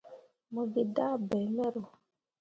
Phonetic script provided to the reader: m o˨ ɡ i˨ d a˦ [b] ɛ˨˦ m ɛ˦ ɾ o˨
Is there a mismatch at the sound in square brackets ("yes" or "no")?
no